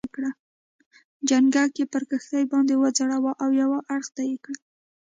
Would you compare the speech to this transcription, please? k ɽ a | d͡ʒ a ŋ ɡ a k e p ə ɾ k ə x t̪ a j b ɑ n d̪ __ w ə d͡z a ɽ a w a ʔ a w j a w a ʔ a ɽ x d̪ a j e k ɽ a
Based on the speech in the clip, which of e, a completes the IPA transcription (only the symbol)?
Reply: e